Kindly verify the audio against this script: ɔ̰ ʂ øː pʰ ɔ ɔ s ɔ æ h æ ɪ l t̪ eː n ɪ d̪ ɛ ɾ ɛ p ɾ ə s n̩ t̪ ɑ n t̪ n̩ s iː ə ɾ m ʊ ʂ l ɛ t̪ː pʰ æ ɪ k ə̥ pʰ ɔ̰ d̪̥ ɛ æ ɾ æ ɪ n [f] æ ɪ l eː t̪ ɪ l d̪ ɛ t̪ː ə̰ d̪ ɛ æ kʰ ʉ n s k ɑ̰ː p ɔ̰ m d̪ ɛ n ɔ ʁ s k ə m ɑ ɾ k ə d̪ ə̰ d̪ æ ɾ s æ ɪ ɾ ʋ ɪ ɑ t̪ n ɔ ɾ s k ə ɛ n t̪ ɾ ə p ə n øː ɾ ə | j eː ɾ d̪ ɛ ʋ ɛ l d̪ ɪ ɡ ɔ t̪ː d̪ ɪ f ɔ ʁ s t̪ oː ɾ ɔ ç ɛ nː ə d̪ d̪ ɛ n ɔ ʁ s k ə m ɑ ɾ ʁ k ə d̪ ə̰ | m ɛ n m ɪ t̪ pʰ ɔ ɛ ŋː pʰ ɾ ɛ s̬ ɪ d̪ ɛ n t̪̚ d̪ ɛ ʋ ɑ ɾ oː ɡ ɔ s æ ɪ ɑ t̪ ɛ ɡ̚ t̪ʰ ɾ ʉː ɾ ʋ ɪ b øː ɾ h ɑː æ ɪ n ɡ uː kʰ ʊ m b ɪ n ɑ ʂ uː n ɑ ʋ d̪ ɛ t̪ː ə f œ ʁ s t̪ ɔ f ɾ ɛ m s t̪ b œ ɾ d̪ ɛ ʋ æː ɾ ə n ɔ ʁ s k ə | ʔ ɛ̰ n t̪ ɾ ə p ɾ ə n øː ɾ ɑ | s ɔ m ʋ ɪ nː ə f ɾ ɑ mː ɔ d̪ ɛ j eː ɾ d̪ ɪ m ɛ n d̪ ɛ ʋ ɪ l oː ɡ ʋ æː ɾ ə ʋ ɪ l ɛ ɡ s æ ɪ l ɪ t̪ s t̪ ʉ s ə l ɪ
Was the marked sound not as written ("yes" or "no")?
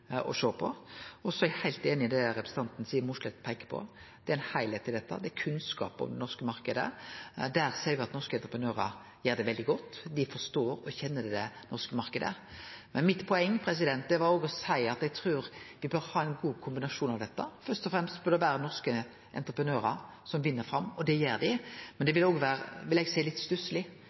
yes